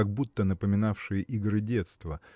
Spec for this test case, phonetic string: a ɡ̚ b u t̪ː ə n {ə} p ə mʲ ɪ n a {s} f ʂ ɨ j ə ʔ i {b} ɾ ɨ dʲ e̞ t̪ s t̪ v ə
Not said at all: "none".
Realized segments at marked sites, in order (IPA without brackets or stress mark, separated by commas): ə, none, ɡ